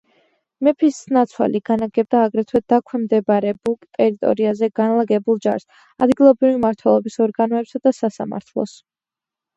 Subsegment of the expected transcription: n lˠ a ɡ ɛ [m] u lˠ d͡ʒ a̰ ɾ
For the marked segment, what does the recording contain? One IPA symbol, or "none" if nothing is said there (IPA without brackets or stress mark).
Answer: b